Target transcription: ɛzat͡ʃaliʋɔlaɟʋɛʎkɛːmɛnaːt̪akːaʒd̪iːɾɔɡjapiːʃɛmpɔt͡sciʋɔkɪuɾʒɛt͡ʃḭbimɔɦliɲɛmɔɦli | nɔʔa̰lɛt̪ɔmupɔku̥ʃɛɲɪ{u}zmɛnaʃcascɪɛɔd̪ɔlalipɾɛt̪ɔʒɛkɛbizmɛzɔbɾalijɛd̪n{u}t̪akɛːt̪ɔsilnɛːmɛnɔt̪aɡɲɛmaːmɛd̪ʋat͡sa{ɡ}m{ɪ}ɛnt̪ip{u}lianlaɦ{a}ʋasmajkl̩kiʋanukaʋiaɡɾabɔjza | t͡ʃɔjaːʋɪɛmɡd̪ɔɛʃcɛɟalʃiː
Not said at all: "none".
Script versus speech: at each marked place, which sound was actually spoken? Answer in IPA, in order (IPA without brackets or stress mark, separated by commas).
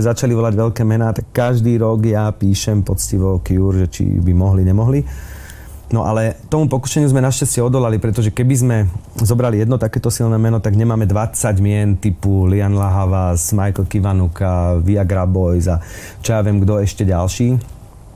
u, ɔ, ɟ, ɪ, u, a